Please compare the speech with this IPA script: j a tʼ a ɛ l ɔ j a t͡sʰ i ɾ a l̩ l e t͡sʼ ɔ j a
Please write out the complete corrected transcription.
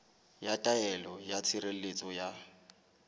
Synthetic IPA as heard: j a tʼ a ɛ l ɔ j a t͡sʰ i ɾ e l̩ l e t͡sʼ ɔ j a